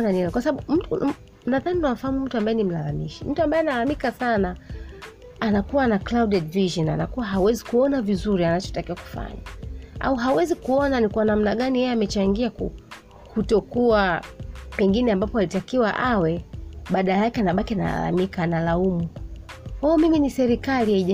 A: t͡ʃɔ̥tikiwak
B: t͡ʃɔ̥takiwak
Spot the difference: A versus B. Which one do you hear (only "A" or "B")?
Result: B